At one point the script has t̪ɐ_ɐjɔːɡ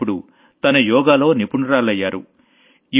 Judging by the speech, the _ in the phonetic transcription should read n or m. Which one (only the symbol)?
n